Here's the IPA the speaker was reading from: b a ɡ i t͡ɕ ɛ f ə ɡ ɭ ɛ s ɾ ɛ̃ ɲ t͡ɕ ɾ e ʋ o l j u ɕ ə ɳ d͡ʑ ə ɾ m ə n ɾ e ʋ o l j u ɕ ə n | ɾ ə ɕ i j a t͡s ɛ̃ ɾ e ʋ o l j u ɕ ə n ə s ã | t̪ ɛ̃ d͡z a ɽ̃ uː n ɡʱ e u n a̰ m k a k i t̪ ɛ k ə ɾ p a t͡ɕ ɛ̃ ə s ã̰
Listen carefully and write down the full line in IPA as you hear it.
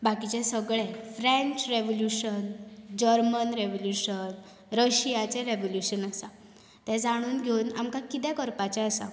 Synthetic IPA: b a k i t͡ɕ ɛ s ə ɡ ɭ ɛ f ɾ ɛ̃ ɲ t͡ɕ ɾ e ʋ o l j u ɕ ə n d͡ʑ ə ɾ m ə n ɾ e ʋ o l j u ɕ ə n | ɾ ə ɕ i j a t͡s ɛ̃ ɾ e ʋ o l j u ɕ ə n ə s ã | t̪ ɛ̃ d͡z a ɽ̃ uː n ɡʱ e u n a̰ m k a k i t̪ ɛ k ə ɾ p a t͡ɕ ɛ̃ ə s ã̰